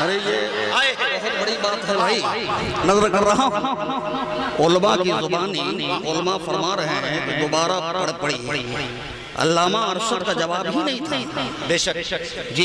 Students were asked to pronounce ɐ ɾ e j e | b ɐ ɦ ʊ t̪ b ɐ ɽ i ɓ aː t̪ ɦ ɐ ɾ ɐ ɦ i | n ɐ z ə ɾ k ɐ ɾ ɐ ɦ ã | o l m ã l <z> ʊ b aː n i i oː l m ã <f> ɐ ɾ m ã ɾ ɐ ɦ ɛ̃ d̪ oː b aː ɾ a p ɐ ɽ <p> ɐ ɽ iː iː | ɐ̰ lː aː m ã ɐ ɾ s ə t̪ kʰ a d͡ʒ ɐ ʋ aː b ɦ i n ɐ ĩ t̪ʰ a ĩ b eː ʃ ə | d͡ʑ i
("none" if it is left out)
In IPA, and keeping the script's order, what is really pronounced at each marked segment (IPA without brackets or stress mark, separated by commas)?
z, f, p